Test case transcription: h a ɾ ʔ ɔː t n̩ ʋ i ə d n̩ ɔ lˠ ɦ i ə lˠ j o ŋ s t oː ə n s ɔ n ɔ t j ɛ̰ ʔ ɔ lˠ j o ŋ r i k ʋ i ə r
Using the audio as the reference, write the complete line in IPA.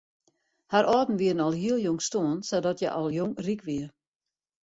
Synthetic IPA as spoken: h a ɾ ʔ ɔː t n̩ ʋ i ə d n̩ ɔ lˠ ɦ i ə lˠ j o ŋ s t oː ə n s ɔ d ɔ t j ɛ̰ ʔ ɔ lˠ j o ŋ r i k ʋ i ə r